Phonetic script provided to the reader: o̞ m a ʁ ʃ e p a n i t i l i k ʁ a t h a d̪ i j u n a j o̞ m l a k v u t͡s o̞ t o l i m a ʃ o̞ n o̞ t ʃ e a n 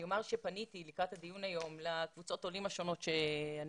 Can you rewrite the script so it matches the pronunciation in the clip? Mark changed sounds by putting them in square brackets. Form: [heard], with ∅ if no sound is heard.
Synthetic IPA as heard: o̞ m a ʁ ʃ e p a n i t i l i k ʁ a t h a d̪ i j u n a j o̞ m l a k v u t͡s o̞ t o l i m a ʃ o̞ n o̞ t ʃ e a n